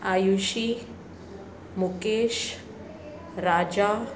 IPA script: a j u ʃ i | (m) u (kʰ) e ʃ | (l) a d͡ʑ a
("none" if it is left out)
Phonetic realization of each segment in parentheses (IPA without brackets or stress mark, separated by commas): m, k, ɾ